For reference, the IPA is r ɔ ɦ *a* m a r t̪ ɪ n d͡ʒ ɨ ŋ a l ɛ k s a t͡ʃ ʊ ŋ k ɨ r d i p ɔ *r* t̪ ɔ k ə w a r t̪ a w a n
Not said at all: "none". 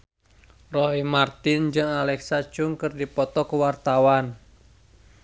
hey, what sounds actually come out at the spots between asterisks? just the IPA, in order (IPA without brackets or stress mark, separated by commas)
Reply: i, none